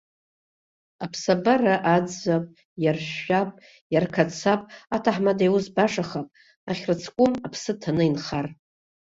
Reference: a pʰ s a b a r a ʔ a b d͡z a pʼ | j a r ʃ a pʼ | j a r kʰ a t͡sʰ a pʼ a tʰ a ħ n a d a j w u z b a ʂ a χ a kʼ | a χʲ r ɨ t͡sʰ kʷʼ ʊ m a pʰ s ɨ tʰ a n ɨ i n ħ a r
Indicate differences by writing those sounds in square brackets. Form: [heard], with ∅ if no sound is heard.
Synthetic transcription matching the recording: a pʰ s a b a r a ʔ a [∅] d͡z a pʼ | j a r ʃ a pʼ | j a r kʰ a t͡sʰ a pʼ a tʰ a ħ [m] a d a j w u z b a ʂ a χ a [pʼ] | a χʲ r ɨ t͡sʰ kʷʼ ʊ m a pʰ s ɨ tʰ a n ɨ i n [χ] a r